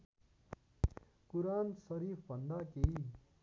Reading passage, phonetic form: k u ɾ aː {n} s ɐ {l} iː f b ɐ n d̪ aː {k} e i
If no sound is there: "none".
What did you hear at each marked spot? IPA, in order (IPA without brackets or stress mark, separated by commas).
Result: n, ɾ, k